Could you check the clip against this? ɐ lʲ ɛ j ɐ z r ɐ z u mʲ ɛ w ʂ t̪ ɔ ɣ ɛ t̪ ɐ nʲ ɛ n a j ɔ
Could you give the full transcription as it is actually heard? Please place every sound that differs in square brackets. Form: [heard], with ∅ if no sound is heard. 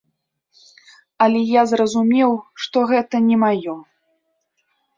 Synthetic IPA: ɐ lʲ ɛ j [a] z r ɐ z u mʲ ɛ w ʂ t̪ ɔ ɣ ɛ t̪ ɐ nʲ ɛ [m] a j ɔ